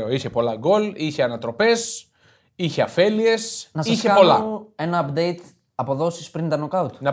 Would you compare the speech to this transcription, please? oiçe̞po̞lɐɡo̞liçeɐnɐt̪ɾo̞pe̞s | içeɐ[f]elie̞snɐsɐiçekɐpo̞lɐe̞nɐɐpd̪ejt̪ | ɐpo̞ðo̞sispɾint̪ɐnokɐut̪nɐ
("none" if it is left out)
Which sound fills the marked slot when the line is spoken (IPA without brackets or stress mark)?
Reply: f